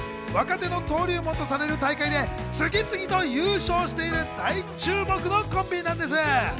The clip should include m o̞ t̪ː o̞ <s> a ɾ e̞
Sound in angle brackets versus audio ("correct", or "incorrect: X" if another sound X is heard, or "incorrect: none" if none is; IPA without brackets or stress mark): correct